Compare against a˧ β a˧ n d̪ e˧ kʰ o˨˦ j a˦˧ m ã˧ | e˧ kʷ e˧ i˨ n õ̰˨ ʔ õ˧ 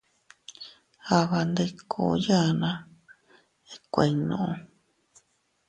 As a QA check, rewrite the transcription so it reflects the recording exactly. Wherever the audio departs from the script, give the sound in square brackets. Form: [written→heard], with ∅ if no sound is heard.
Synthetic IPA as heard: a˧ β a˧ n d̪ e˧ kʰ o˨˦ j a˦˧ [m→n] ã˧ | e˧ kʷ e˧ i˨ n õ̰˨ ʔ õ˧